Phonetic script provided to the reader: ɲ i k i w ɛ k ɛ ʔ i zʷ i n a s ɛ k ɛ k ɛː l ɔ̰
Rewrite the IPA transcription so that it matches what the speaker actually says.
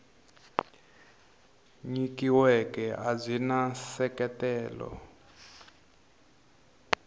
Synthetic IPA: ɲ i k i w ɛ k ɛ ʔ a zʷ i n a s ɛ k ɛ t ɛː l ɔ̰